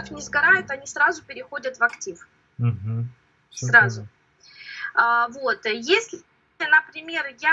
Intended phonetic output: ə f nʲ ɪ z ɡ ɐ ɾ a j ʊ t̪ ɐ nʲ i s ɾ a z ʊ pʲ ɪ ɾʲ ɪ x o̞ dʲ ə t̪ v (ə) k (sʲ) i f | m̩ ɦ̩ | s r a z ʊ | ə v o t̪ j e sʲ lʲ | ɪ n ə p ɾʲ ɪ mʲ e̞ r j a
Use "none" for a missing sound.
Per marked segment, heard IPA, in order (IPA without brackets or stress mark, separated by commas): ɐ, tʲ